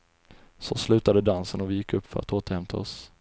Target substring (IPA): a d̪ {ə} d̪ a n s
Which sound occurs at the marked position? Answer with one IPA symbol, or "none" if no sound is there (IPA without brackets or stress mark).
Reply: ə